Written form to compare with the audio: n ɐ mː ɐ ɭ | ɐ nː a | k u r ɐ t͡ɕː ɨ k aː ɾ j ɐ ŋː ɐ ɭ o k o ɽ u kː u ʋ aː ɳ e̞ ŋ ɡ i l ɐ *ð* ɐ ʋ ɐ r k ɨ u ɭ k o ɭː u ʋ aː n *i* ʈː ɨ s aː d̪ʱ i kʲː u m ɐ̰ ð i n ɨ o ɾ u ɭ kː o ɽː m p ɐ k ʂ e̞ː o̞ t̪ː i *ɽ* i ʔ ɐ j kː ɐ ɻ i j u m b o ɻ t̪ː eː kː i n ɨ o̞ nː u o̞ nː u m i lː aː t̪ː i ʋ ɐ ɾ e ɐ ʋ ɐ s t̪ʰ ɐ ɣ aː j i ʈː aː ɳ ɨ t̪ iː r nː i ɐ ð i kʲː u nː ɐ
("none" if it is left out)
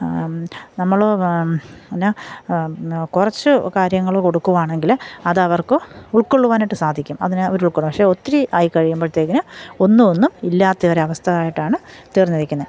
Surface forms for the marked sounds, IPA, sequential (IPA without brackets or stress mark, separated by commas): ð, i, ɾ